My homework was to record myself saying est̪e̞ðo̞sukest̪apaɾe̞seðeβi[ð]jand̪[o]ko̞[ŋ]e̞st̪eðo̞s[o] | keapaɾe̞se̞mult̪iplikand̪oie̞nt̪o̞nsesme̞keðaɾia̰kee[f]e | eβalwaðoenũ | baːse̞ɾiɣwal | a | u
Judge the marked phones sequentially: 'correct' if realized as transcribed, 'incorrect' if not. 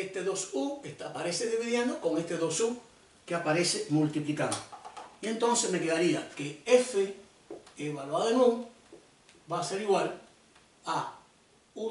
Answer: correct, correct, correct, incorrect: u, correct

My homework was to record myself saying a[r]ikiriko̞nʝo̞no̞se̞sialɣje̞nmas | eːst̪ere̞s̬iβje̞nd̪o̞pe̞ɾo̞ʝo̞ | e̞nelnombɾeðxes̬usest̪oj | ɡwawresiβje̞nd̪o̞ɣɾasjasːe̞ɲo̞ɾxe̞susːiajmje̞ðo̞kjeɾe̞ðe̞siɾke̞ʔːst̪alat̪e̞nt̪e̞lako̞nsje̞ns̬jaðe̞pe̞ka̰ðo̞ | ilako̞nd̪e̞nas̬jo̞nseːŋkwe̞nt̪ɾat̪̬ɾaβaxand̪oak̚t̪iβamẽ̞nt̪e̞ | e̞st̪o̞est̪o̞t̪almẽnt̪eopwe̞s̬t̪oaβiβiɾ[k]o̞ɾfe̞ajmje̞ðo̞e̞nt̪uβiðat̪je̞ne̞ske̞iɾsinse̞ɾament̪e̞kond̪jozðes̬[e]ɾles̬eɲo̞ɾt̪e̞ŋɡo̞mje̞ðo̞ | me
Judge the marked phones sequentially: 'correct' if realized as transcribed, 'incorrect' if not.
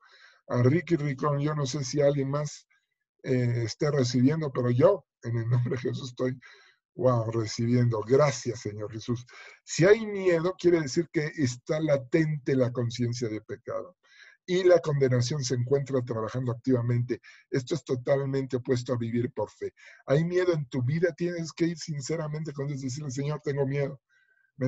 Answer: correct, incorrect: p, incorrect: i

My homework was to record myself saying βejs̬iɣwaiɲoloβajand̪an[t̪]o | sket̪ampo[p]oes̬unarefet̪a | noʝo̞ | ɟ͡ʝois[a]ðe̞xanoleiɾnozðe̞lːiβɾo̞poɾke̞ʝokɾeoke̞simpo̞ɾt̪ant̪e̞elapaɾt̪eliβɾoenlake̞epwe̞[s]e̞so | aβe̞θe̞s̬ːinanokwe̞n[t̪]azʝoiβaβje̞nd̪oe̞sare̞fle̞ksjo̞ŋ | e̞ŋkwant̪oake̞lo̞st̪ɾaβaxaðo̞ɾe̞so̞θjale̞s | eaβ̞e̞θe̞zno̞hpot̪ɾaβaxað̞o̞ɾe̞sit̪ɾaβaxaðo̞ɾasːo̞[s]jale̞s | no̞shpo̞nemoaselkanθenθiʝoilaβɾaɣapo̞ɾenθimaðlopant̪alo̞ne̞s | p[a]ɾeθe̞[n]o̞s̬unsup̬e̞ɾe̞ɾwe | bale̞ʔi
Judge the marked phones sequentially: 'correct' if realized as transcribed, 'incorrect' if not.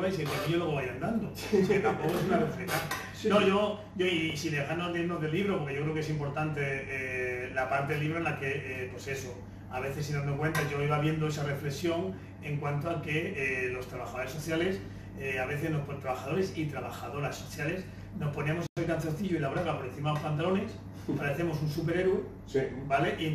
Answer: incorrect: d̪, incorrect: k, incorrect: i, correct, correct, incorrect: θ, correct, incorrect: m

